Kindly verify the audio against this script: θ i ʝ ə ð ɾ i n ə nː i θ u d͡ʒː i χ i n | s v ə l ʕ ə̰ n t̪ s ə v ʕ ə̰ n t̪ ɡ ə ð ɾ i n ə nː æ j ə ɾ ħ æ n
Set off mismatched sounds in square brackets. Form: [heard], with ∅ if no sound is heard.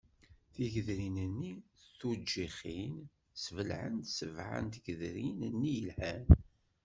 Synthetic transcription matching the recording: θ i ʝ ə ð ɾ i n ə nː i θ u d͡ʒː i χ i n | s v ə l ʕ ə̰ n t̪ s ə v ʕ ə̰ n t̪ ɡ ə ð ɾ i n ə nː [i] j ə [l] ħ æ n